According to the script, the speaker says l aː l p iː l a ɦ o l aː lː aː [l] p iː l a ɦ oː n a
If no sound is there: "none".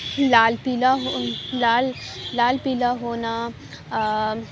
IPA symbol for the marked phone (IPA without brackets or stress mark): l